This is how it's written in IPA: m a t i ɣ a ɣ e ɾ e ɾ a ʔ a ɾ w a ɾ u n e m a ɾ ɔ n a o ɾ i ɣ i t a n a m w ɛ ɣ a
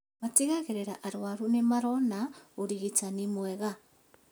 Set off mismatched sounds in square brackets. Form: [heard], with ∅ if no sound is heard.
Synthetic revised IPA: m a t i ɣ a ɣ e ɾ e ɾ a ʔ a ɾ w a ɾ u n e m a ɾ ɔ n a o ɾ i ɣ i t a n [i] m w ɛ ɣ a